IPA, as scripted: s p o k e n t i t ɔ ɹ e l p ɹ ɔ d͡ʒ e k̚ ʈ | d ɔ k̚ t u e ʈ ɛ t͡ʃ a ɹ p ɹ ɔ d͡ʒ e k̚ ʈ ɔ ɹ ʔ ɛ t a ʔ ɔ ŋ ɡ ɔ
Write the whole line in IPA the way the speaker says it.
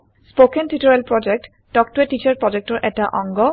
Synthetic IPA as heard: s p o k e n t i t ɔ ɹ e l p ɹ ɔ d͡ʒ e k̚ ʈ | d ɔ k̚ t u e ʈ i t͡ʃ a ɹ p ɹ ɔ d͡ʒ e k̚ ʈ ɔ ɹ ʔ ɛ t a ʔ ɔ ŋ ɡ ɔ